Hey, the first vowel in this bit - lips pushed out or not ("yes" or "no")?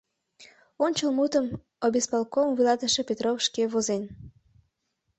yes